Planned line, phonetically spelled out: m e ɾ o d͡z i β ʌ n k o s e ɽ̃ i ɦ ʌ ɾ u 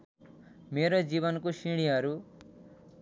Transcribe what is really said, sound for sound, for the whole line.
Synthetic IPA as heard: m e ɾ o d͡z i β ʌ n k o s i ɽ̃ i ɦ ʌ ɾ u